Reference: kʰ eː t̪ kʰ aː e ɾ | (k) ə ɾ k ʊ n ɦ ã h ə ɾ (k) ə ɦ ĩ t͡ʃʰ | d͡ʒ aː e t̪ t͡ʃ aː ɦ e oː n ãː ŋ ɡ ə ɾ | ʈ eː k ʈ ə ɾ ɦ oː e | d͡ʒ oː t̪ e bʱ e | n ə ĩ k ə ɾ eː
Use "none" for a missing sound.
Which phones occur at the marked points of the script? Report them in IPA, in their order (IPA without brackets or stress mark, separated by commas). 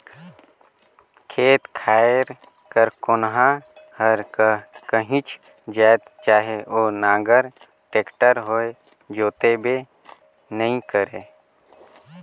k, k